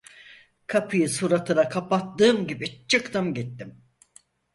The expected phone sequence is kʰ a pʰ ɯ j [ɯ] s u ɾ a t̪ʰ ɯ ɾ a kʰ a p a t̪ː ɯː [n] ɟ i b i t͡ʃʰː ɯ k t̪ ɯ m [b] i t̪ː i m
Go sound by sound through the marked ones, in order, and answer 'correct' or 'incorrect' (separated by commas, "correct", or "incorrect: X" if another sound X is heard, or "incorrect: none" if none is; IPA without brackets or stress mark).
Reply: correct, incorrect: m, incorrect: ɟ